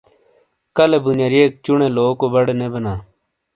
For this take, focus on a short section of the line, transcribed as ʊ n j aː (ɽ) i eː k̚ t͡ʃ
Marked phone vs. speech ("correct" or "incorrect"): incorrect